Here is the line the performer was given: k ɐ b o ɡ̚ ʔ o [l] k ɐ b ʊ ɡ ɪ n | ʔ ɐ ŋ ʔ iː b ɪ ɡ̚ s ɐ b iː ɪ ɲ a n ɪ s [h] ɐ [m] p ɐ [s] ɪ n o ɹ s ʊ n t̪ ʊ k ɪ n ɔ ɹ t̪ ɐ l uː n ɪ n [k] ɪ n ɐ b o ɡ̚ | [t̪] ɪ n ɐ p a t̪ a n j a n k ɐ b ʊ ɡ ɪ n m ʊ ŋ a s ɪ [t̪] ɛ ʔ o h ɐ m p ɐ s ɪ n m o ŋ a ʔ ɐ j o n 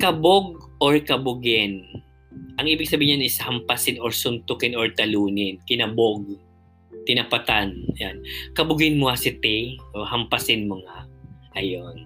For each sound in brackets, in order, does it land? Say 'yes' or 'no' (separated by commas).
no, yes, yes, yes, yes, yes, yes